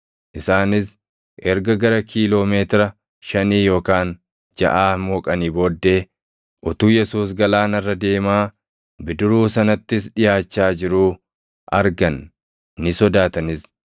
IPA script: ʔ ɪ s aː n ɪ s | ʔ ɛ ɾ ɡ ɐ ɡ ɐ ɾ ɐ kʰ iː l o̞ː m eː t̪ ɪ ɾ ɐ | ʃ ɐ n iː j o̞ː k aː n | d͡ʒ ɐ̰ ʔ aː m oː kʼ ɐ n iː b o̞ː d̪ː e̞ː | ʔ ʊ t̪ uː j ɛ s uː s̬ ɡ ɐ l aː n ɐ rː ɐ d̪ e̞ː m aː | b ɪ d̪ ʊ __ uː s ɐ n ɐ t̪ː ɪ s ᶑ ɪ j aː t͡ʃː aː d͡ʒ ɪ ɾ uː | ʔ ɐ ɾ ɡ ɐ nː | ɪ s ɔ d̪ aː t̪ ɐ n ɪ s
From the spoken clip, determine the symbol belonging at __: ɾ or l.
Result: ɾ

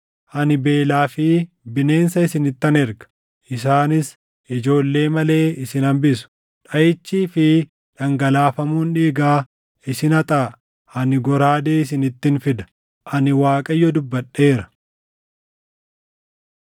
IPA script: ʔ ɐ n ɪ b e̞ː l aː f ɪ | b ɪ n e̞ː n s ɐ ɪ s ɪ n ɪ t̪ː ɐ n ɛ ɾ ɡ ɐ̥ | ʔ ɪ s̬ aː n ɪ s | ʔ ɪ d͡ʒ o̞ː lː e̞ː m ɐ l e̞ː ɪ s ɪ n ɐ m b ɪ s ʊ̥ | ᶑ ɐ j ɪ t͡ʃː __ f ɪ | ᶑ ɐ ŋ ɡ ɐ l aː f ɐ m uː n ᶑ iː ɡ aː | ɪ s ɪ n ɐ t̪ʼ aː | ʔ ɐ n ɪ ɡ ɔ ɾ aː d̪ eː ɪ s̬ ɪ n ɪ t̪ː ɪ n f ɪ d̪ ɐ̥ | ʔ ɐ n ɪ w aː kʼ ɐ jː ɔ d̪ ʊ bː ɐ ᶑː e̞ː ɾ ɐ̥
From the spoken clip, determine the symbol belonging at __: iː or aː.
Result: iː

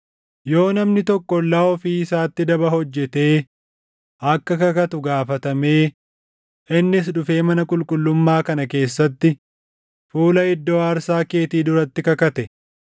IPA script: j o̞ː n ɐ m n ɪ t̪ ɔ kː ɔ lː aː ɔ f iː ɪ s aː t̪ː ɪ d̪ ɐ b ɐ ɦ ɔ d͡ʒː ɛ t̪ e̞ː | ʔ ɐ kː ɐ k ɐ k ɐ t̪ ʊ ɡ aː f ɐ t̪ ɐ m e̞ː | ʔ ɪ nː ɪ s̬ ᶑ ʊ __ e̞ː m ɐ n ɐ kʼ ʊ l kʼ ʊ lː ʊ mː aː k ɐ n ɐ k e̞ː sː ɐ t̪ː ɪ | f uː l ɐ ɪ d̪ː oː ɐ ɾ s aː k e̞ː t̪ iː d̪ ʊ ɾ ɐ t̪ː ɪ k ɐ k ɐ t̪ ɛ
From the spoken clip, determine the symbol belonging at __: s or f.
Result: f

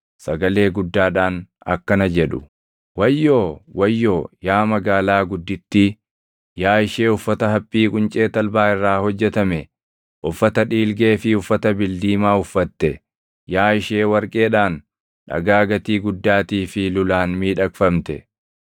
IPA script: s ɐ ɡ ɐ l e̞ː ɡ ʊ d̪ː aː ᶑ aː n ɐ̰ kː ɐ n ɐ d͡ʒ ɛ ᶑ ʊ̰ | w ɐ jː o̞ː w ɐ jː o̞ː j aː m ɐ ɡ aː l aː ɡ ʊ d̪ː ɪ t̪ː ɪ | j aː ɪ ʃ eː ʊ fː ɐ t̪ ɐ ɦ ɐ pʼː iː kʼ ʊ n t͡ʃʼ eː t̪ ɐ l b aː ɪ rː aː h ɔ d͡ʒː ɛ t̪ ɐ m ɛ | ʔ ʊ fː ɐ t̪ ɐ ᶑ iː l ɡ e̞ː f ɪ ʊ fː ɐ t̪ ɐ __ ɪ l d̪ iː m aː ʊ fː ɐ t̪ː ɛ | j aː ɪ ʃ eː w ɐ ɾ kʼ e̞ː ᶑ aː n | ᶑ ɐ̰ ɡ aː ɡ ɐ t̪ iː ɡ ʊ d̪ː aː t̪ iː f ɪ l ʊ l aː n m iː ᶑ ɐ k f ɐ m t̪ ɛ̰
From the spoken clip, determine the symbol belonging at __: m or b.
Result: b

